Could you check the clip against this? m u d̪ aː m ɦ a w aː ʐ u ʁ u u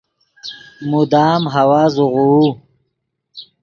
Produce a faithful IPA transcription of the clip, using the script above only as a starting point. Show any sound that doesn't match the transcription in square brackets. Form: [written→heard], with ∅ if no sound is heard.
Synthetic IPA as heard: m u d̪ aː m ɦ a w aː [ʐ→z] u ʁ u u